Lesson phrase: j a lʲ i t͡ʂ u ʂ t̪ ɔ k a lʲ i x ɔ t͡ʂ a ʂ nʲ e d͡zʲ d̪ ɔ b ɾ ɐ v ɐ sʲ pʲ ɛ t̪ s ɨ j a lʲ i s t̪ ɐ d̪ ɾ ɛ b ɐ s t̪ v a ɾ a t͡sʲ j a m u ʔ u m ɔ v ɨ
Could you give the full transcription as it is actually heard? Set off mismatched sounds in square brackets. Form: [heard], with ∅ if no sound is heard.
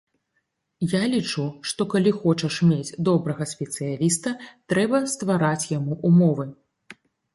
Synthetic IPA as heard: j a lʲ i t͡ʂ u ʂ t̪ ɔ k a lʲ i x ɔ t͡ʂ [ɐ] ʂ [mʲ] e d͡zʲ d̪ ɔ b ɾ ɐ [ɣ] ɐ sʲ pʲ ɛ t̪ s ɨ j a lʲ i s t̪ ɐ [t̪] ɾ ɛ b ɐ s t̪ v a ɾ a t͡sʲ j a m u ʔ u m ɔ v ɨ